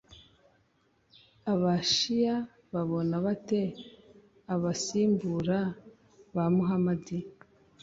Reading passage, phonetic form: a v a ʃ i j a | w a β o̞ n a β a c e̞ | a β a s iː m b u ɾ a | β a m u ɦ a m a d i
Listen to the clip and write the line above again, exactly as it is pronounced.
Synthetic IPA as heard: a β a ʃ i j a | β a β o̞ n a β a t e̞ | a β a s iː m b u ɾ a | β a m u ɦ a m a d i